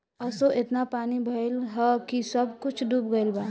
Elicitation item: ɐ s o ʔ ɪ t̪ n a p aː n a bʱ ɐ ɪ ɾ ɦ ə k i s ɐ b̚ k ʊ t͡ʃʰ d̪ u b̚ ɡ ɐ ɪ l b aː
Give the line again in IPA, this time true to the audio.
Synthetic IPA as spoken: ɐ s o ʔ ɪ t̪ n a p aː n i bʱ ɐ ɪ l ɦ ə k i s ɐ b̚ k ʊ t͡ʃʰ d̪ u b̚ ɡ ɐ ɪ l b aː